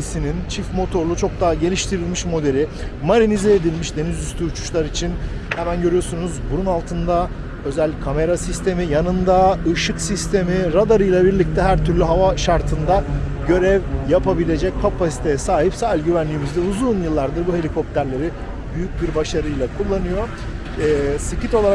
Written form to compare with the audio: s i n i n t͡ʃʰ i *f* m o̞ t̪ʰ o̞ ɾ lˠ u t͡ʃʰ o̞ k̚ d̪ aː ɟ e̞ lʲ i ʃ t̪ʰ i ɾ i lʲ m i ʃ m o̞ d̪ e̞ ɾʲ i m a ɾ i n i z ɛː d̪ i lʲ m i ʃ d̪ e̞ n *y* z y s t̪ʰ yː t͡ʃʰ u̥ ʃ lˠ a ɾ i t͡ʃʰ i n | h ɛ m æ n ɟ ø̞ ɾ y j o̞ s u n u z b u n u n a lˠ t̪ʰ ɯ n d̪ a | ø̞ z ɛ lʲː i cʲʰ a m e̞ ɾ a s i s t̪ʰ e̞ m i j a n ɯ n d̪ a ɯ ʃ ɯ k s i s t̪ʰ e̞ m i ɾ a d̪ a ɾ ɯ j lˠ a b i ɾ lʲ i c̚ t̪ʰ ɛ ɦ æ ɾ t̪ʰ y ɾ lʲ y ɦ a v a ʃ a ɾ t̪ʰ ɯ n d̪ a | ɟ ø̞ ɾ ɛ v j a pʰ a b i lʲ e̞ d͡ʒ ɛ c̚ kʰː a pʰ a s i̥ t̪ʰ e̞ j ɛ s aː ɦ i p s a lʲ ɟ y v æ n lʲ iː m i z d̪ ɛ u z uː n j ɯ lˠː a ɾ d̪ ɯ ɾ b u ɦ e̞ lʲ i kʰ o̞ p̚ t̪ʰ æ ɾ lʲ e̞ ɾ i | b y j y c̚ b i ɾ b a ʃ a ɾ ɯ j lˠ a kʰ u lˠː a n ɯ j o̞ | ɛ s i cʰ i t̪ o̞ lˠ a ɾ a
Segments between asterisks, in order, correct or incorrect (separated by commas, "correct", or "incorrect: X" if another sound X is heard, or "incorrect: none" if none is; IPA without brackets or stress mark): correct, incorrect: i